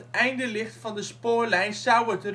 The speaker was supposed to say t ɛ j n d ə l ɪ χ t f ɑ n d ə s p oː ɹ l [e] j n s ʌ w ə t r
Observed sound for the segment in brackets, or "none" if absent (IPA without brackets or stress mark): ɛ